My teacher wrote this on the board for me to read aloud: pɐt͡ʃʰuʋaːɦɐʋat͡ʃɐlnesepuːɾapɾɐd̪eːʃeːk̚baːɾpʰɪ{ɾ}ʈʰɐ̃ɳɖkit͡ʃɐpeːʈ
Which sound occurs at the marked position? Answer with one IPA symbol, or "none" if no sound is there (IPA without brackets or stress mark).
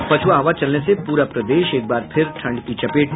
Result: ɾ